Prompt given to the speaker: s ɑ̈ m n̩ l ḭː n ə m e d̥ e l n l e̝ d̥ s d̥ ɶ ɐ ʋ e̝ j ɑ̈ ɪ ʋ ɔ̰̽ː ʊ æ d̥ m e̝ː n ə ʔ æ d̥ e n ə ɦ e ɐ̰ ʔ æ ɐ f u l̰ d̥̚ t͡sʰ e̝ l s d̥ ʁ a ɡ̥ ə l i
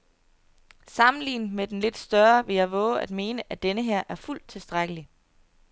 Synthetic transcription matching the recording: s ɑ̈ m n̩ l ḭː n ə m e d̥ e n l e̝ d̥ s d̥ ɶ ɐ ʋ e̝ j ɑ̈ ɪ ʋ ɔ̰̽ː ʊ æ d̥ m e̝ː n ə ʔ æ d̥ e n ə ɦ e ɐ̰ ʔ æ ɐ f u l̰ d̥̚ t͡sʰ e̝ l s d̥ ʁ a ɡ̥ ə l i